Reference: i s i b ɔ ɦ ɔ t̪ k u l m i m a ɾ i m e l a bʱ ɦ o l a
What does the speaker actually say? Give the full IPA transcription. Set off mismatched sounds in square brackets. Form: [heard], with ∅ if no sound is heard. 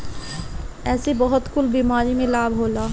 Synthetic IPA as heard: [ɛ] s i b ɔ ɦ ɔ t̪ k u l [b] i m a ɾ i m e l a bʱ ɦ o l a